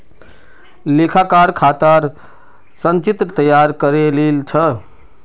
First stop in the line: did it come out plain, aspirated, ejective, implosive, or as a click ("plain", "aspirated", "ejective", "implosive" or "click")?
aspirated